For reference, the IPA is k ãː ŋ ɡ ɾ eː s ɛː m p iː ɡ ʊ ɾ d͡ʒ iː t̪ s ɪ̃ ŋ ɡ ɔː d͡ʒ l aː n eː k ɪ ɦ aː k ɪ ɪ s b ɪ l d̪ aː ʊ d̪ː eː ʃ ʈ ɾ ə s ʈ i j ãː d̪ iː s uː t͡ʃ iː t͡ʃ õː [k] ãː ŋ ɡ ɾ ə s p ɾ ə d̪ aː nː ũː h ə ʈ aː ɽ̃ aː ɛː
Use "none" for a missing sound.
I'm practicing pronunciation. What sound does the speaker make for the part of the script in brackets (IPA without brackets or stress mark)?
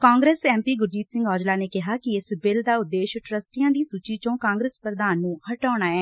k